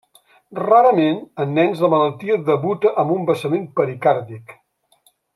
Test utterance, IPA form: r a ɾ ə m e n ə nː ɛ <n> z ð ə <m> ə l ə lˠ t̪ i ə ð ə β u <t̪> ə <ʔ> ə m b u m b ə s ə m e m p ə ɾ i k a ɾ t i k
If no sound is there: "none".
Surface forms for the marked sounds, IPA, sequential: n, m, t̪, ʔ

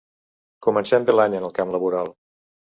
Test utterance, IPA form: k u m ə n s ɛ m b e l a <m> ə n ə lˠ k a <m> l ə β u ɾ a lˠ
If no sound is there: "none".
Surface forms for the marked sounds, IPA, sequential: ɲ, m

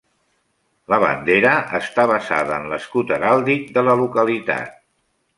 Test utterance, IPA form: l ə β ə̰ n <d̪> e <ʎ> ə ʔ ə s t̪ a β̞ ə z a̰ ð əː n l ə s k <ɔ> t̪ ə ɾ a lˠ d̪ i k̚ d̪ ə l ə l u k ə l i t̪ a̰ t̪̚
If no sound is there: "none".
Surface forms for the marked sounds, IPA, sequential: d̪, ɾ, u

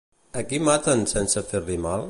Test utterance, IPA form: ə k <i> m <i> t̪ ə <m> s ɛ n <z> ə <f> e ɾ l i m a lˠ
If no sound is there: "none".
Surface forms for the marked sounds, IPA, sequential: i, a, n, s, f

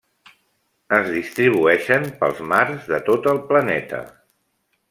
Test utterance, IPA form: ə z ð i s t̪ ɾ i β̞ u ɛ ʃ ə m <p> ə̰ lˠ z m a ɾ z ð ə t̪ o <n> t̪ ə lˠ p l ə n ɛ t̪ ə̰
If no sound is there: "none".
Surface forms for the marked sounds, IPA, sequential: p, none

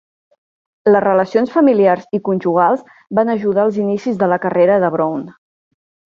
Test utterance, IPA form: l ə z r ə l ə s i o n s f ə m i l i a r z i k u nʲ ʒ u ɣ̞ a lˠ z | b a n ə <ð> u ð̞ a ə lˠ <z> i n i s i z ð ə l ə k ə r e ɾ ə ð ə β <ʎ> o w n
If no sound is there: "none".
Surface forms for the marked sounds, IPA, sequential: ʒ, z, ɾ

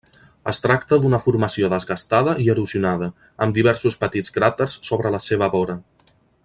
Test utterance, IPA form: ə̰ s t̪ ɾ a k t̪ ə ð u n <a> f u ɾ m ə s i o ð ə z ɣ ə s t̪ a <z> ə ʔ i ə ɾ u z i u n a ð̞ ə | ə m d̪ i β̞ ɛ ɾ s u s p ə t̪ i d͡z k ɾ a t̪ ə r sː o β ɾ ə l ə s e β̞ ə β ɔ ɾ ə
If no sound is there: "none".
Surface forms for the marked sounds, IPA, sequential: ə, ð

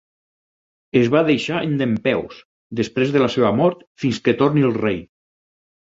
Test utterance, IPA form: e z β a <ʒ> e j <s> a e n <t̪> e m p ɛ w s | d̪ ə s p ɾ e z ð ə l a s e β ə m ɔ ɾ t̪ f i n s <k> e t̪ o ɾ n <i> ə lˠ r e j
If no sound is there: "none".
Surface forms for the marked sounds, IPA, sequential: ð, ʃ, d̪, k, i

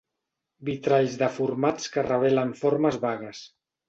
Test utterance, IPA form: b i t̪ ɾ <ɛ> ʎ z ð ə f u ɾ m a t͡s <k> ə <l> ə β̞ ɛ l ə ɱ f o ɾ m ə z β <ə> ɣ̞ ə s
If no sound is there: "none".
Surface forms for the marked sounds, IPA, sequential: a, k, r, a

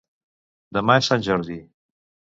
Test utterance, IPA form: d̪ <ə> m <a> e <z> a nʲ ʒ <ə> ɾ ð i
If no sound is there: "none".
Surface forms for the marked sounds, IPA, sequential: ə, a, s, ə

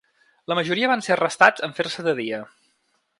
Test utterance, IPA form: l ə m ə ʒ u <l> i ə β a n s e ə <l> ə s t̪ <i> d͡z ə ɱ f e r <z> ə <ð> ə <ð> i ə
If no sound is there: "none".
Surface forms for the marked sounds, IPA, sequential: ɾ, r, a, s, ð, ð

